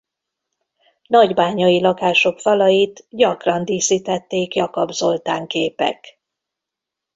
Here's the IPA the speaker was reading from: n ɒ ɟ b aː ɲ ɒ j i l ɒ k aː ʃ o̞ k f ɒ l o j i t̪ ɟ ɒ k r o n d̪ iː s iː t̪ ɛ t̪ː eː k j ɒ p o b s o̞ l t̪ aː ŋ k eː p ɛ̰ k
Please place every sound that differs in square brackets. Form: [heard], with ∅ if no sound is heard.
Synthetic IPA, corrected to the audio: n ɒ ɟ b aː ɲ ɒ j i l ɒ k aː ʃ o̞ k f ɒ l [ɒ] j i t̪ ɟ ɒ k r [ɒ] n d̪ iː s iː t̪ ɛ t̪ː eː k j ɒ [k] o b [z] o̞ l t̪ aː ŋ k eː p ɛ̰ k